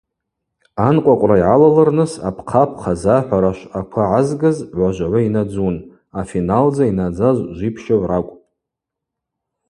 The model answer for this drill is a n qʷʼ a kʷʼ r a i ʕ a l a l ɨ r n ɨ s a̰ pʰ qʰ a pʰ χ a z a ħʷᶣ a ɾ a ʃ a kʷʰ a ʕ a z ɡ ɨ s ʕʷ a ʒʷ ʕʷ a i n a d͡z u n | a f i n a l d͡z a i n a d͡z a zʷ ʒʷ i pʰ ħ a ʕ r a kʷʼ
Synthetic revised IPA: a n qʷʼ a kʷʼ r a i ʕ a l a l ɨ r n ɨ s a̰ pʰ qʰ a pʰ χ a z a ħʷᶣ a ɾ a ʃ a kʷʰ a ʕ a z ɡ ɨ z ʕʷ a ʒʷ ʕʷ a i n a d͡z u n | a f i n a l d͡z a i n a d͡z a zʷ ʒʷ i pʰ ʃ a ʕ r a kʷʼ